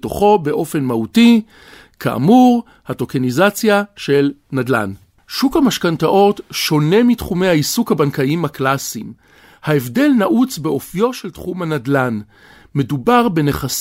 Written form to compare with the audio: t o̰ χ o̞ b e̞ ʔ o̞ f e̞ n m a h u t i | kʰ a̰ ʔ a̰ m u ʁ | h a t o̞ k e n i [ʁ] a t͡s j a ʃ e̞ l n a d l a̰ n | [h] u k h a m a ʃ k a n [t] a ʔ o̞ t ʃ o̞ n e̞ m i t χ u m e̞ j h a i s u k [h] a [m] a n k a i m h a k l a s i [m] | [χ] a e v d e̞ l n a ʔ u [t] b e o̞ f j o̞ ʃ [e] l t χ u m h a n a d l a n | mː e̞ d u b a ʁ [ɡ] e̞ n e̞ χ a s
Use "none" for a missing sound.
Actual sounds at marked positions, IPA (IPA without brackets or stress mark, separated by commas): z, ʃ, t, h, b, m, h, t͡s, e, b